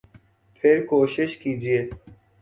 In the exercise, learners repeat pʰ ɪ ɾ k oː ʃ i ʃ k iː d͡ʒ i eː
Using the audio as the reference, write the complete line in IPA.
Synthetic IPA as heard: pʰ ɪ ɾ k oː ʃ ɪ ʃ k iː d͡ʒ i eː